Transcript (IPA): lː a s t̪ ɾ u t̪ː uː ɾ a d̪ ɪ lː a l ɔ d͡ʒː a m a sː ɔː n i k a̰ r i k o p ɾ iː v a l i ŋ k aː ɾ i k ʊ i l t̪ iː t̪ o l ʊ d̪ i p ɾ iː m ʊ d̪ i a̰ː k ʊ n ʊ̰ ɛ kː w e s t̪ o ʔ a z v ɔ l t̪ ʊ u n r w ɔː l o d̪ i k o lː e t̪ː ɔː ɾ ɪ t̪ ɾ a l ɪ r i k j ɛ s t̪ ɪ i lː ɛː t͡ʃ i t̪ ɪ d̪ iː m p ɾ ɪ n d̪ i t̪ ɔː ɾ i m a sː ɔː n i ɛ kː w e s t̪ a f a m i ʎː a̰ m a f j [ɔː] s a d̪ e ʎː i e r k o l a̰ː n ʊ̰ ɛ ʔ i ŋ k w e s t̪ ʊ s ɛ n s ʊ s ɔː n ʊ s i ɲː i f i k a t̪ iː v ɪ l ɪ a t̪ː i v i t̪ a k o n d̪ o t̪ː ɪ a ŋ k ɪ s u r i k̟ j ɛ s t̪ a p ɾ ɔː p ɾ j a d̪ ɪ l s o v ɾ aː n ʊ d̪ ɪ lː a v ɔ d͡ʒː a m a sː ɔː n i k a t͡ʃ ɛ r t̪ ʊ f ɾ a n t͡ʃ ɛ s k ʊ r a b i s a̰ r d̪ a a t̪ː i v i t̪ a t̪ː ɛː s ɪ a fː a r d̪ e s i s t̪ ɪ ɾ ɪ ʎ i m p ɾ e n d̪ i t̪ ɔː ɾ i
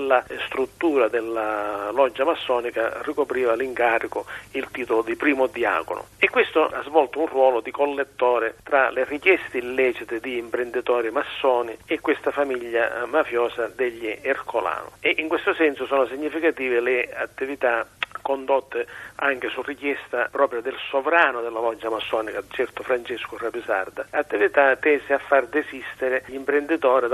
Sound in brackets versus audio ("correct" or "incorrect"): correct